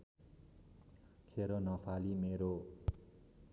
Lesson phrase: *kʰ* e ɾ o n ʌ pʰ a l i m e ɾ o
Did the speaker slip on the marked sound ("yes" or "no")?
no